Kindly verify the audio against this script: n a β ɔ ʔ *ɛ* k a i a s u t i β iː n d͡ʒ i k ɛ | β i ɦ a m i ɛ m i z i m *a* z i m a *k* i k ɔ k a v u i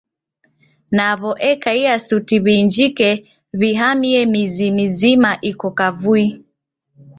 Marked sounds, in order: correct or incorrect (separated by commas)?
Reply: correct, incorrect, incorrect